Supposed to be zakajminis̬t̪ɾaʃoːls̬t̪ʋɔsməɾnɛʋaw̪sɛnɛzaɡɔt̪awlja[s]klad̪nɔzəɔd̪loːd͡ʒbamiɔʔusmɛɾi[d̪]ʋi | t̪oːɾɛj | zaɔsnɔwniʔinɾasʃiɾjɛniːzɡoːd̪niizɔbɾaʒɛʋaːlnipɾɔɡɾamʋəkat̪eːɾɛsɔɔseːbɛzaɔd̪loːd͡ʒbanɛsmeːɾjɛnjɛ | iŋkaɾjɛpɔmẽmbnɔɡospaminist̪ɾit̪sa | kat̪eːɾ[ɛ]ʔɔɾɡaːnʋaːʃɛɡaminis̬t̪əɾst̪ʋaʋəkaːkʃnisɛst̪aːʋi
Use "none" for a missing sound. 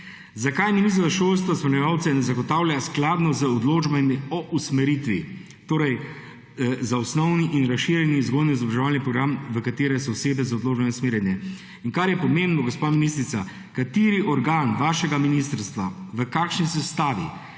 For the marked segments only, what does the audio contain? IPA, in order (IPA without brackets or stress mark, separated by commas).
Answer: s, t̪, i